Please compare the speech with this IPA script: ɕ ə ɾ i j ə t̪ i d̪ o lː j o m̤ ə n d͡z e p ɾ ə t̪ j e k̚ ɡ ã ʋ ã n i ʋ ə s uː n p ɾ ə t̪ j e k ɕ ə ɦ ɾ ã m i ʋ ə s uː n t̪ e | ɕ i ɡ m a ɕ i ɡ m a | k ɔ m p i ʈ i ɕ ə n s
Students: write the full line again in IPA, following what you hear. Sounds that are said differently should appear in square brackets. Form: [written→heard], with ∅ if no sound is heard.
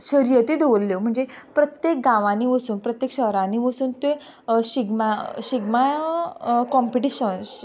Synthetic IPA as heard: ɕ ə ɾ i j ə t̪ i d̪ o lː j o m̤ ə [n→ɳ] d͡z e p ɾ ə t̪ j e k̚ ɡ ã ʋ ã n i ʋ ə s uː n p ɾ ə t̪ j e k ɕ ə ɦ ɾ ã [m→n] i ʋ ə s uː n t̪ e | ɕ i ɡ m a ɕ i ɡ m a | k ɔ m p i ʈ i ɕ ə n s